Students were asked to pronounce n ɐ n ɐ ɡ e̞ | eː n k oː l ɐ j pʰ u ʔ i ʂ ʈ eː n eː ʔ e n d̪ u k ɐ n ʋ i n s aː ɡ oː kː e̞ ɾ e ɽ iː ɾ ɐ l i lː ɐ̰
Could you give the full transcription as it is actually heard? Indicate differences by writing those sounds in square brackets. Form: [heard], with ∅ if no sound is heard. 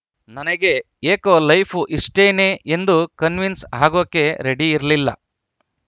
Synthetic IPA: n ɐ n ɐ ɡ e̞ | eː [∅] k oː l ɐ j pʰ u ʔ i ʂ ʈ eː n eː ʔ e n d̪ u k ɐ n ʋ i n s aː ɡ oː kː e̞ ɾ e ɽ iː ɾ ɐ l i lː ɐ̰